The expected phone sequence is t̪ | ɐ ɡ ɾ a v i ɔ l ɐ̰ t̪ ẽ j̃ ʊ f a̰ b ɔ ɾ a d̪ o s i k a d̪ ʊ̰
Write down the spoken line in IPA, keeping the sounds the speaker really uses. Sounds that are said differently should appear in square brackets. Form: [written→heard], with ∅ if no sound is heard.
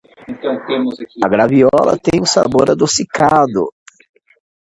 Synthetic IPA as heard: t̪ | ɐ ɡ ɾ a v i ɔ l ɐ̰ t̪ ẽ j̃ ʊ [f→s] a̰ b [ɔ→o] ɾ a d̪ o s i k a d̪ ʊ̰